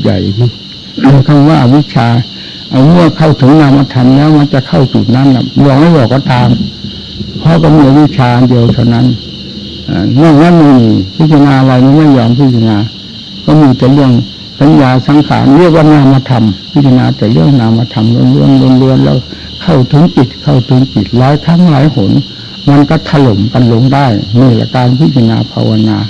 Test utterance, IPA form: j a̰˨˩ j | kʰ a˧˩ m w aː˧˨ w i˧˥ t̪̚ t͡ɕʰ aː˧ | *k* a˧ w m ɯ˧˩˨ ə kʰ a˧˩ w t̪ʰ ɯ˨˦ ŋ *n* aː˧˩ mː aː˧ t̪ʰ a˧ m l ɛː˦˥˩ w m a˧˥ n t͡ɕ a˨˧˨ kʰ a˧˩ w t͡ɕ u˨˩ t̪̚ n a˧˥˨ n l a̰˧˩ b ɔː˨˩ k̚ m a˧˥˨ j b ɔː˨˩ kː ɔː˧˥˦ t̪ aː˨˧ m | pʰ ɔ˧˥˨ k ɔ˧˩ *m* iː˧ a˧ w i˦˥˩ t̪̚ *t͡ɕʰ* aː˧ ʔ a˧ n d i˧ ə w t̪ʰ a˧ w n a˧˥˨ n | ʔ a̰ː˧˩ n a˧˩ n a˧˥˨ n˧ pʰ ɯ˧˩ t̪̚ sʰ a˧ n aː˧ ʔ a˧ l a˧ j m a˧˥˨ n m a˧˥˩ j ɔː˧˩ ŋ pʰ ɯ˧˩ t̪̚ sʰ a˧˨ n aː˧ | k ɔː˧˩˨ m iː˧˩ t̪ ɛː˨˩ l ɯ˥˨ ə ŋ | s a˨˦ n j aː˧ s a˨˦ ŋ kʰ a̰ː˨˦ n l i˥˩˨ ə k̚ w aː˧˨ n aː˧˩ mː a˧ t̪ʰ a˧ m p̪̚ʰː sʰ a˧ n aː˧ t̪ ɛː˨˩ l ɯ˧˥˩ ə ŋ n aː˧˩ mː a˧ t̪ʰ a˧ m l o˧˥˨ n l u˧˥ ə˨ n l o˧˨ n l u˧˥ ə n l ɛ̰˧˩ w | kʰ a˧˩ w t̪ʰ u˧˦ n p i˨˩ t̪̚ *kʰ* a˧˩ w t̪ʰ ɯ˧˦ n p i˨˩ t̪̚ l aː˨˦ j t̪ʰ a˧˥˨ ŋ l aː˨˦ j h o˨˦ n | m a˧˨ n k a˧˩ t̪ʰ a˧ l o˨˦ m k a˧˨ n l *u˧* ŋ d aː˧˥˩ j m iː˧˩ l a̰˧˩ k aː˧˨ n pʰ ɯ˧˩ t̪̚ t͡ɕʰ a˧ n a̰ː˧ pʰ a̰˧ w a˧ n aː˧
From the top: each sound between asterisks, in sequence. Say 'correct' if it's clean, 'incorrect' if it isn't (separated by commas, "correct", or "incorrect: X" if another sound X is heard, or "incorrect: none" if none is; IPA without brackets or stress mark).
incorrect: ʔ, correct, correct, correct, correct, incorrect: o˧